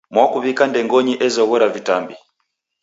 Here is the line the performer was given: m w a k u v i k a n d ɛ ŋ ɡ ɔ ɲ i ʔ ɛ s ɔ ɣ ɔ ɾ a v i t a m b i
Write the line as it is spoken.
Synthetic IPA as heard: m w a k u β i k a n d ɛ ŋ ɡ ɔ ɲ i ʔ ɛ z ɔ ɣ ɔ ɾ a v i t a m b i